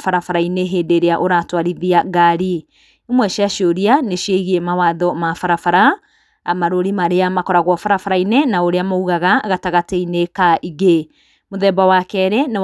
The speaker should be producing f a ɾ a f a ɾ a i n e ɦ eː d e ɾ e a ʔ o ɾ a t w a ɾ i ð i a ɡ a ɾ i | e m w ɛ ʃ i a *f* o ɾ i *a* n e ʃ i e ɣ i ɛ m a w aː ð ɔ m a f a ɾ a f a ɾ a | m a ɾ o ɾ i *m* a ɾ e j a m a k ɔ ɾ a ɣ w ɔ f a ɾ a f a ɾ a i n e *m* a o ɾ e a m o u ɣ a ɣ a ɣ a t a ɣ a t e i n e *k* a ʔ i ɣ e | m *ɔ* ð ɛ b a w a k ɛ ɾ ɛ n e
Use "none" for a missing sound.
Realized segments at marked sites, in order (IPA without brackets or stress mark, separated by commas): ʃ, a, m, n, k, o